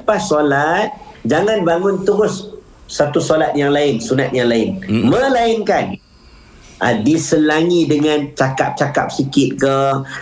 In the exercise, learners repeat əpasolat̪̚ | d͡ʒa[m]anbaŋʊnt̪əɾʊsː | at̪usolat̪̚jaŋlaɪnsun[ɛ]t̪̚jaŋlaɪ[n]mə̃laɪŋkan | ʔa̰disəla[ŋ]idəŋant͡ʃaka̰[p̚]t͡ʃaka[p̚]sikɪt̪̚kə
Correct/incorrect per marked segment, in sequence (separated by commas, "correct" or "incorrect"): incorrect, incorrect, correct, correct, correct, correct